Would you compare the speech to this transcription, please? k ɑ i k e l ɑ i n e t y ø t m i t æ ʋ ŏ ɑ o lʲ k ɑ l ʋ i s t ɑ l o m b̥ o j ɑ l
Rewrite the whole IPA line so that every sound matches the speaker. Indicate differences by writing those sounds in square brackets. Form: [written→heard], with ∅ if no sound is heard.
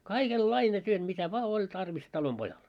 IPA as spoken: k ɑ i k e [l→lː] ɑ i n e t y ø t m i t æ ʋ ŏ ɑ o lʲ [k→t] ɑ [l→r] ʋ i s t ɑ l o m b̥ o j ɑ l